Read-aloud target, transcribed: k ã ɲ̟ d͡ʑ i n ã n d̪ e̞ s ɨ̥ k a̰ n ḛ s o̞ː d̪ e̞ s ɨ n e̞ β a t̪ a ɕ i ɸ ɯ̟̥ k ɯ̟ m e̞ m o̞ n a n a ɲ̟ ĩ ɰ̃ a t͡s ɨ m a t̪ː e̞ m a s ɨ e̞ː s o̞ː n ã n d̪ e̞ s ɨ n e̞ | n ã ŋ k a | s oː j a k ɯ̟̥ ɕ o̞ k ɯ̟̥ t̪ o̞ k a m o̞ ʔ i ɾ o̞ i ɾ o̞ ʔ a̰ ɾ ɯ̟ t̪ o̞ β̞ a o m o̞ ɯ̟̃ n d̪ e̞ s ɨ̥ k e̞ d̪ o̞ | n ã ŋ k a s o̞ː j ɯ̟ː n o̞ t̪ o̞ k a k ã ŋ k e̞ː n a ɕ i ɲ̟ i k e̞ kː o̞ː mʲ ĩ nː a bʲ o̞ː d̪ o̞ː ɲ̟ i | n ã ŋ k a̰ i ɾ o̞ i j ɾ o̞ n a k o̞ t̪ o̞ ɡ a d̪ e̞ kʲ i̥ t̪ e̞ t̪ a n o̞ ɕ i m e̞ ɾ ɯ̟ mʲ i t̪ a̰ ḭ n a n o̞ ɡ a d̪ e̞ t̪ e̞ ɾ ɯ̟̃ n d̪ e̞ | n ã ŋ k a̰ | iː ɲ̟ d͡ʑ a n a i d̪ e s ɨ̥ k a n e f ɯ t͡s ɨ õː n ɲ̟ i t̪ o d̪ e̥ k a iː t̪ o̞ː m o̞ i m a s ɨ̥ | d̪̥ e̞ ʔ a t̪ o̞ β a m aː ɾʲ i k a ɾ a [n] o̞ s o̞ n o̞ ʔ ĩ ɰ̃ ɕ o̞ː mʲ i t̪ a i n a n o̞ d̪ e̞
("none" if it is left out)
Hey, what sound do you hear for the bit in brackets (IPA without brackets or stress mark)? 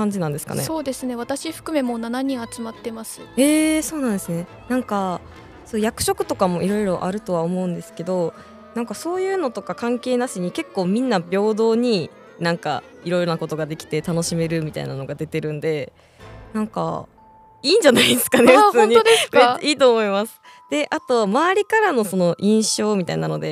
n